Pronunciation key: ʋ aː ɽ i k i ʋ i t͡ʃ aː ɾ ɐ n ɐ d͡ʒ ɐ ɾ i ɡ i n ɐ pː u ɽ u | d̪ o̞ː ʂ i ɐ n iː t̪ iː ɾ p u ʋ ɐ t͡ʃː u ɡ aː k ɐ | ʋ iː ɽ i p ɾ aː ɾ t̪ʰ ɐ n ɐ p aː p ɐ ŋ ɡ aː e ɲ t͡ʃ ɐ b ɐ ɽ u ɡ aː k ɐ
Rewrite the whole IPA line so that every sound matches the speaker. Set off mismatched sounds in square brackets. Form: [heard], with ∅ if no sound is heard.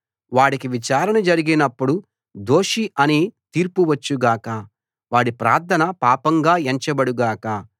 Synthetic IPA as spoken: ʋ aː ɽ i k i ʋ i t͡ʃ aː ɾ ɐ n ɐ d͡ʒ ɐ ɾ i ɡ i n ɐ pː u ɽ u | d̪ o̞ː ʂ i ɐ n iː t̪ iː ɾ p u ʋ ɐ t͡ʃː u ɡ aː k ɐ | ʋ [aː] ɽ i p ɾ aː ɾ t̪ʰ ɐ n ɐ p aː p ɐ ŋ ɡ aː e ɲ t͡ʃ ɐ b ɐ ɽ u ɡ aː k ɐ